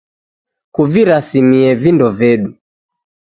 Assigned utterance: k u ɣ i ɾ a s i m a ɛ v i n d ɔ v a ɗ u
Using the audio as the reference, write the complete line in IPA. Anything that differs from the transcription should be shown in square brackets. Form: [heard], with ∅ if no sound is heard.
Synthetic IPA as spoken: k u [v] i ɾ a s i m [i] ɛ v i n d ɔ v [ɛ] ɗ u